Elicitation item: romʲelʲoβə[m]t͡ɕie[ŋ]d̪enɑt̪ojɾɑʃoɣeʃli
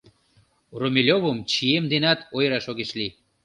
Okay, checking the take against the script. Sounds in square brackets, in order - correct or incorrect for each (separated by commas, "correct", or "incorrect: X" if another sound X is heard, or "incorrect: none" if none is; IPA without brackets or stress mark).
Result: correct, incorrect: m